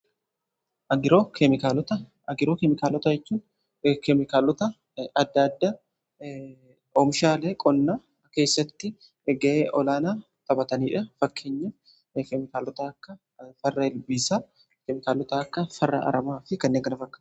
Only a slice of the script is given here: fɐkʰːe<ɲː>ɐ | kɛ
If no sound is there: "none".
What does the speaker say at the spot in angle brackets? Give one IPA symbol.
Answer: ɲː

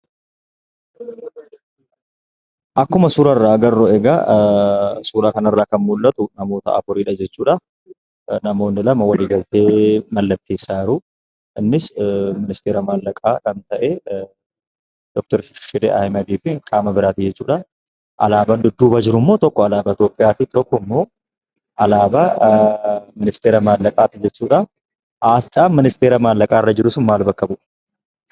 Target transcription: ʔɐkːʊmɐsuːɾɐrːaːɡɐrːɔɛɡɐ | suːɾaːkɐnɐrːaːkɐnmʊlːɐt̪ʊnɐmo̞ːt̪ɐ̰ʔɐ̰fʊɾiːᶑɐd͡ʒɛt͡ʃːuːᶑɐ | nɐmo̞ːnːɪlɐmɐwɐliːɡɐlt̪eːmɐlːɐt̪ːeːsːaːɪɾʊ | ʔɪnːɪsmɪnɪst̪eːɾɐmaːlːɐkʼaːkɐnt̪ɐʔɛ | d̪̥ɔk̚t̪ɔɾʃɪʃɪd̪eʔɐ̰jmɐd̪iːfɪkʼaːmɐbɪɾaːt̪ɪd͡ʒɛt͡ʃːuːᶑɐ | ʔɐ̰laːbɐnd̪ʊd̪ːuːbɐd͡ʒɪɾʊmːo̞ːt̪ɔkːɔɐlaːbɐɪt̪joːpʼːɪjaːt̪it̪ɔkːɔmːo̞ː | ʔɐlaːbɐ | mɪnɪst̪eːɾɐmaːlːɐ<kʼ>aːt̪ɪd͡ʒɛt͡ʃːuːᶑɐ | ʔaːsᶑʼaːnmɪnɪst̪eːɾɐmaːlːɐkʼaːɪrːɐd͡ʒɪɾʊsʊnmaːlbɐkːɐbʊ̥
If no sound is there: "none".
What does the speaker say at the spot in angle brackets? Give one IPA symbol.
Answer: kʼ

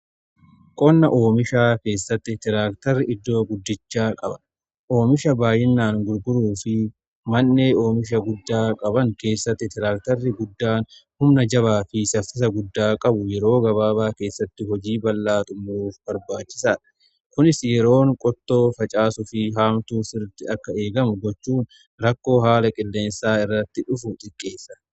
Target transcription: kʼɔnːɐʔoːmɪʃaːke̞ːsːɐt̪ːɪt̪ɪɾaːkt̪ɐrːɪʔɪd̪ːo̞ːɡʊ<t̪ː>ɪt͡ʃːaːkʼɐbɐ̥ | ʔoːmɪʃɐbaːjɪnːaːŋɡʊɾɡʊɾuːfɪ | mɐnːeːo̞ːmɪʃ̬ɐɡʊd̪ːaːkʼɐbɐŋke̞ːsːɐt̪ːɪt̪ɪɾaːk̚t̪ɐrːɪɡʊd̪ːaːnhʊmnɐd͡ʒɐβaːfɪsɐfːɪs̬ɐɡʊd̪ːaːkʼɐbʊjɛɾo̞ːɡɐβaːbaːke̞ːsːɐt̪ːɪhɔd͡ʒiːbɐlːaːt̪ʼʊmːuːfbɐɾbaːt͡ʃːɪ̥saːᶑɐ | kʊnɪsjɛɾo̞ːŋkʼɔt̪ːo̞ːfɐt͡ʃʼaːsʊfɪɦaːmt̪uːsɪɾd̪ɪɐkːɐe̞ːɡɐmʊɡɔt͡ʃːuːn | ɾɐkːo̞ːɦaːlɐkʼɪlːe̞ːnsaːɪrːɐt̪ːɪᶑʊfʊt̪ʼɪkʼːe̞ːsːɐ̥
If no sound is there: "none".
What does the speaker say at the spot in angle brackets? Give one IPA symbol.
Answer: d̪ː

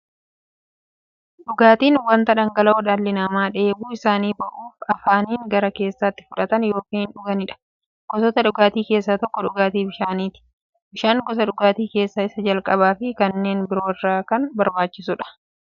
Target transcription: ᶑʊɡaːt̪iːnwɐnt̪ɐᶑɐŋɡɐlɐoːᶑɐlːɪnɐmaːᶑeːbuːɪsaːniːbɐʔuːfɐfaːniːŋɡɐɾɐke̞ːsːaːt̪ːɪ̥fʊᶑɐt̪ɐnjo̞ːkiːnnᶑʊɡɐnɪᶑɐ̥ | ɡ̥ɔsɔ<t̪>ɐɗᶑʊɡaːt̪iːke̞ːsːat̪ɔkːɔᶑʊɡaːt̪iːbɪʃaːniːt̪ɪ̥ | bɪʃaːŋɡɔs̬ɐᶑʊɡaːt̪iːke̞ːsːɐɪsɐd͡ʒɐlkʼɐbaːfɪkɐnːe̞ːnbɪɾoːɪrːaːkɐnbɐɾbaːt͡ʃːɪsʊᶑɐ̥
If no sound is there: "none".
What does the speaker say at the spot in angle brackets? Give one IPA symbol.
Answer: t̪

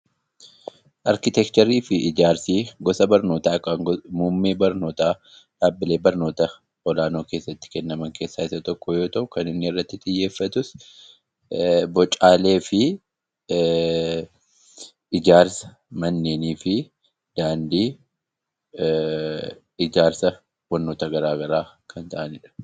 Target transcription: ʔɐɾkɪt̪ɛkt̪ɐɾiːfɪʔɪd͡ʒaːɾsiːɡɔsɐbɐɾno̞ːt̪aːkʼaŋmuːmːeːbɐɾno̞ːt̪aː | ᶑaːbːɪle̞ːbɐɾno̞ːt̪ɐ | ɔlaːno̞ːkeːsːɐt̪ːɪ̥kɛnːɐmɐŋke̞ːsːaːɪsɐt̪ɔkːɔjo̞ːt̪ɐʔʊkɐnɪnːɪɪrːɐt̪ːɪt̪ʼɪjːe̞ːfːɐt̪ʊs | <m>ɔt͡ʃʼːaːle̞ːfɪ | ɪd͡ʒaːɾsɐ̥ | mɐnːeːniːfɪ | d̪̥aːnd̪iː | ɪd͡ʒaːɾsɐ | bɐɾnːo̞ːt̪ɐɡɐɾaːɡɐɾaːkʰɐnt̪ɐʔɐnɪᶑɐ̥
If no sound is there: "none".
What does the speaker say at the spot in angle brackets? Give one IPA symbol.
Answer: b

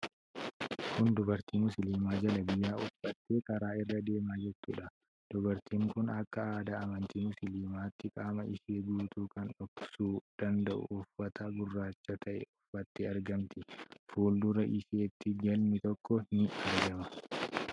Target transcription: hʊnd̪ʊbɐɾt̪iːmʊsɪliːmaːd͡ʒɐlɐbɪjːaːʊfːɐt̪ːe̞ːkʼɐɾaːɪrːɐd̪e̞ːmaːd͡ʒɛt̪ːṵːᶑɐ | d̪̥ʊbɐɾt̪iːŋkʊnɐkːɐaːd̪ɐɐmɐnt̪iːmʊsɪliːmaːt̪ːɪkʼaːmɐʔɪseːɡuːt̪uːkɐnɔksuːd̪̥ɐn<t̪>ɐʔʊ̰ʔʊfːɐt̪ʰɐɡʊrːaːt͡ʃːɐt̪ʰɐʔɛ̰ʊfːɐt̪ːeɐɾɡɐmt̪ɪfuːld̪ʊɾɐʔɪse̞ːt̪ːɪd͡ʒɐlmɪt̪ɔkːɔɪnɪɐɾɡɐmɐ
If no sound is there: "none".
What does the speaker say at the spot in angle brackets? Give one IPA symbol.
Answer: d̪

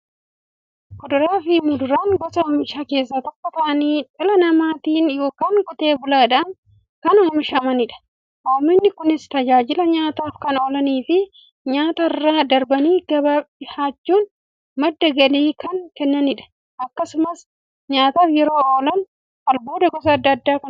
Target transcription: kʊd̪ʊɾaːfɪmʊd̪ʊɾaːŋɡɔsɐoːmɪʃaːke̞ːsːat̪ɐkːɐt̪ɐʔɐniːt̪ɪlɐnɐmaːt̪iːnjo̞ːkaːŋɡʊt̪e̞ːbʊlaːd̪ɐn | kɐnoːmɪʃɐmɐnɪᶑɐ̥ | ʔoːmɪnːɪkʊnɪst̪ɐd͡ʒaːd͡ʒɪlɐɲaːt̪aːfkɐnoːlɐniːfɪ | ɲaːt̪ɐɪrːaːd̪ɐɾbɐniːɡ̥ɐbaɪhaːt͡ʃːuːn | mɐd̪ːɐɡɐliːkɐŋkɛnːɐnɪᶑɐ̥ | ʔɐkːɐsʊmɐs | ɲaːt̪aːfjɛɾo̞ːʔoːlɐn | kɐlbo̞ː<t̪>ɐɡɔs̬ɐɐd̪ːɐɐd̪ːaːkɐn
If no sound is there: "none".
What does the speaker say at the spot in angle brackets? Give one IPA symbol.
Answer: d̪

